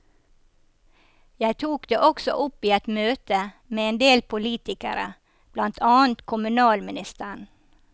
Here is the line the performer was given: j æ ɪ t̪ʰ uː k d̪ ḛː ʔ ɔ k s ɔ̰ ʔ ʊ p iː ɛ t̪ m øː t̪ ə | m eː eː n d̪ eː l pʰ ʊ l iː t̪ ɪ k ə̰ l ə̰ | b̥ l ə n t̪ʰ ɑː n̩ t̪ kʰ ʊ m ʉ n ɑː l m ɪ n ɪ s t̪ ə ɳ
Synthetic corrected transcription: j æ ɪ t̪ʰ uː k d̪ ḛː ʔ ɔ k s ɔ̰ ʔ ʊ p iː ɛ t̪ m øː t̪ ə | m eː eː n d̪ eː l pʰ ʊ l iː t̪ ɪ k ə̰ ɾ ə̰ | b̥ l ɑ n t̪ʰ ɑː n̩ t̪ kʰ ʊ m ʉ n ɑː l m ɪ n ɪ s t̪ ə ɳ